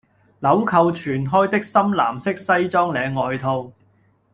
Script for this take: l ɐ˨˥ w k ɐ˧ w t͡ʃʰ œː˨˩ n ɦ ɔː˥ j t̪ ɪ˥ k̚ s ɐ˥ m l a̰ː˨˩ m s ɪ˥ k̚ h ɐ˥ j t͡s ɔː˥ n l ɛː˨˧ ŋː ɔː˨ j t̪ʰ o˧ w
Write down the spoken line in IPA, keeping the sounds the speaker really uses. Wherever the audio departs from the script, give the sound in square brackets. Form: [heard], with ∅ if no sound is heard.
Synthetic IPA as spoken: l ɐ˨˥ w [kʰ] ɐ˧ w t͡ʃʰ [yː˨˩] n ɦ ɔː˥ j t̪ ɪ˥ k̚ s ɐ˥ m l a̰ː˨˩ m s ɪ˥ k̚ [s] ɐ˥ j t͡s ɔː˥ [ŋ] l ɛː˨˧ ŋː ɔː˨ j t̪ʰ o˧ w